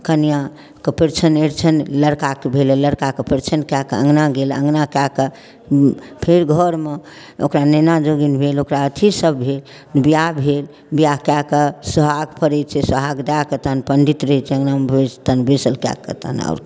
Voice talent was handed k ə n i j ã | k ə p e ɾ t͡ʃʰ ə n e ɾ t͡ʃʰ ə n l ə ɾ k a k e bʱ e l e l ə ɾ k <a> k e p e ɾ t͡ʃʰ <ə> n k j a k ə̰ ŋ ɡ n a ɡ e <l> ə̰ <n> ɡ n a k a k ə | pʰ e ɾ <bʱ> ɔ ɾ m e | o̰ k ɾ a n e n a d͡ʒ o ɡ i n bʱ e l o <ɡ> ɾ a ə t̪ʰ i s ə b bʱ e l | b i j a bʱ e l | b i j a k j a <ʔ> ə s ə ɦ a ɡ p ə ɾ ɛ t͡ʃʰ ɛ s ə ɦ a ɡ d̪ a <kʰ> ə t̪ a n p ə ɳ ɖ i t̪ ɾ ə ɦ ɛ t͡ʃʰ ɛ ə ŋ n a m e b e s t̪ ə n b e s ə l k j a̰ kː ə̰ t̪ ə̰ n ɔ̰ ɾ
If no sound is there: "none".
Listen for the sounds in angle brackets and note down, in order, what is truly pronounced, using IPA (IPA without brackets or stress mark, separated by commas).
a, ə, l, ŋ, ɡʱ, k, k, k